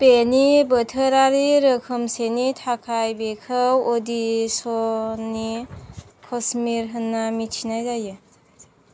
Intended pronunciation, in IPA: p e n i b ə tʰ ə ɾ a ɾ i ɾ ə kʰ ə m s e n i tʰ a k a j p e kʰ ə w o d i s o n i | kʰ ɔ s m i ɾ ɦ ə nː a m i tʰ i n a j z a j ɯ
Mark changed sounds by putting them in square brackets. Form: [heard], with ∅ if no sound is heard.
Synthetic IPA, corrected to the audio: p e n i b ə tʰ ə ɾ a ɾ i ɾ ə kʰ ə m s e n i tʰ a [kʰ] a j [b] e kʰ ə w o d i s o n i | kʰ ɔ s m i ɾ ɦ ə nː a m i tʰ i n a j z a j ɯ